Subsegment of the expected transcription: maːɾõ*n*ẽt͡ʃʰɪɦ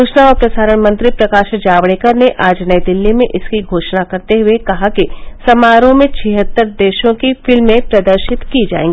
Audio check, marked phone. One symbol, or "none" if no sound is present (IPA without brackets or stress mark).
m